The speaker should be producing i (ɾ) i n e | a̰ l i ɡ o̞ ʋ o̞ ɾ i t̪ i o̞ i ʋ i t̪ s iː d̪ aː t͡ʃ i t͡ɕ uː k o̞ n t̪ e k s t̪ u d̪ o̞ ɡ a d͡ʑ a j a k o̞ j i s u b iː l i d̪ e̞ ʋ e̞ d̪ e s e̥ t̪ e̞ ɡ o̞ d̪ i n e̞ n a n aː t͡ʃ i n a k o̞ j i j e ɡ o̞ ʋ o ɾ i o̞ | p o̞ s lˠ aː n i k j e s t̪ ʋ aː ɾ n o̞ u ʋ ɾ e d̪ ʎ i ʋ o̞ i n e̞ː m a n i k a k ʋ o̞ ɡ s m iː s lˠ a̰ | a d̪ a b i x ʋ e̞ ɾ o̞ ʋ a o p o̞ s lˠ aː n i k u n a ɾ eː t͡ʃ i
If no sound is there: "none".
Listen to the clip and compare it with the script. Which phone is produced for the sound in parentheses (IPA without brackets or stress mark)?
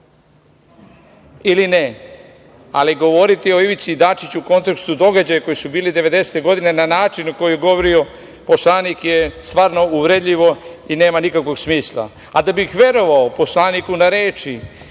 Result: l